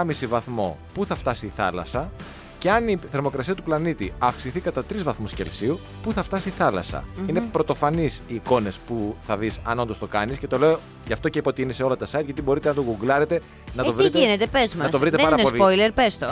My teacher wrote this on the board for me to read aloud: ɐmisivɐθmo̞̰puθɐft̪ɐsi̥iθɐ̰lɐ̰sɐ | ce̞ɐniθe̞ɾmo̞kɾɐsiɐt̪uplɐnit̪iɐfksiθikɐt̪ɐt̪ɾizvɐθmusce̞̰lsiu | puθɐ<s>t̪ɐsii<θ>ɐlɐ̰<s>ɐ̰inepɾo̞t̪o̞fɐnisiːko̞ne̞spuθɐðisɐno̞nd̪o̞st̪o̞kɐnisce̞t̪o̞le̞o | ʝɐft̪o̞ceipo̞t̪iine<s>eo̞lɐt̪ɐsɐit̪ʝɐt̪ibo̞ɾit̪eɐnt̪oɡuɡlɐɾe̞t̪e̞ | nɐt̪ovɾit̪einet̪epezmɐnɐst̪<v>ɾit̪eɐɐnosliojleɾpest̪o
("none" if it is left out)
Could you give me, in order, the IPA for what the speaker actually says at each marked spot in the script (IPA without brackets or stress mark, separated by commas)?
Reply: f, θ, s, s, v